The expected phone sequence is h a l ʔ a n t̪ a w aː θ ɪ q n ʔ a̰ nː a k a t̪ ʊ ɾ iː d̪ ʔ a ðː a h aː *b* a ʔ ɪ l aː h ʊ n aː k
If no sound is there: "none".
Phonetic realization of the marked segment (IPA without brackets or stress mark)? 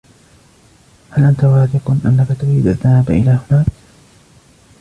b